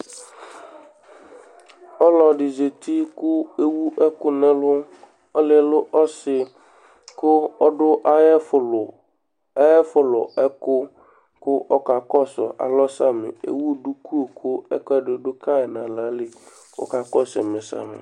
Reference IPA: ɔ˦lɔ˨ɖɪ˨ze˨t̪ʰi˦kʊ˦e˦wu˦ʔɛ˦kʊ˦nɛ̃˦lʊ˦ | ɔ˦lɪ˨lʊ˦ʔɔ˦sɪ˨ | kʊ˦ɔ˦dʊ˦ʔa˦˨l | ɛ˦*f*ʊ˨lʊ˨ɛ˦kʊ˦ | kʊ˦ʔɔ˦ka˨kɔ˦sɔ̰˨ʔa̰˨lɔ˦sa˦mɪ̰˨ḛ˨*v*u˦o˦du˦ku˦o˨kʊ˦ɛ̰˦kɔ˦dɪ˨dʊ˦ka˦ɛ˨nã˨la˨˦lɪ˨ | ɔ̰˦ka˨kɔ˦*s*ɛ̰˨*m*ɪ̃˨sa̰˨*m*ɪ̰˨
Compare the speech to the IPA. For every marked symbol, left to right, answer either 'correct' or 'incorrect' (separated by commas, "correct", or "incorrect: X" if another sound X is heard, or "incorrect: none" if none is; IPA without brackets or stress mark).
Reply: correct, incorrect: w, correct, correct, correct